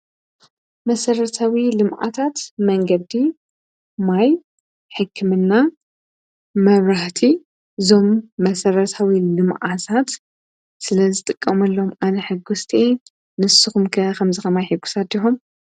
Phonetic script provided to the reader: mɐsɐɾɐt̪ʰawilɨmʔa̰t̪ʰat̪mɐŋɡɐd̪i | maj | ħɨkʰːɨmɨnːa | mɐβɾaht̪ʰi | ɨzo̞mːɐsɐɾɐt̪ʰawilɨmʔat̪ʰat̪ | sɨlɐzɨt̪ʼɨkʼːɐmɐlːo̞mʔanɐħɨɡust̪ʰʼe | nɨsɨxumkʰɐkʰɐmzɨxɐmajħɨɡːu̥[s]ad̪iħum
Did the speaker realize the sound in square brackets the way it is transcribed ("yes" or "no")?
yes